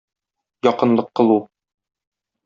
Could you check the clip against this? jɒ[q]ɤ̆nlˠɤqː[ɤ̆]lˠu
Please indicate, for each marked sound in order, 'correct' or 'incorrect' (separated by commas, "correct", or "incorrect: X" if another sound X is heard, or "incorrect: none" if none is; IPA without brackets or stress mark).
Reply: correct, correct